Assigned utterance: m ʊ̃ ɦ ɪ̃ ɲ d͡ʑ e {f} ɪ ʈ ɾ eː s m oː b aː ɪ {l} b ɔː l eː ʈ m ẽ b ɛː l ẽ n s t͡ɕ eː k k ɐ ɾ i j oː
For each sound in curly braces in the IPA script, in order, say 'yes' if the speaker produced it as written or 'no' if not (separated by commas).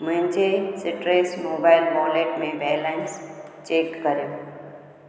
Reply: no, yes